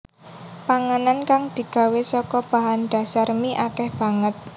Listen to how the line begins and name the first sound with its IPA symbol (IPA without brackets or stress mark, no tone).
p